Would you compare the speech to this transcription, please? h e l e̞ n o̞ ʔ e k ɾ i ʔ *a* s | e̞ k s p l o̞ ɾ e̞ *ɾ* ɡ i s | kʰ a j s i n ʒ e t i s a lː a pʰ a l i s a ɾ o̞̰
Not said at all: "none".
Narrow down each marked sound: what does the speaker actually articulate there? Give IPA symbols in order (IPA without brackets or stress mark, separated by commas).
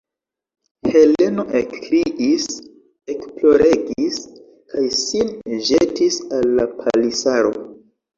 i, none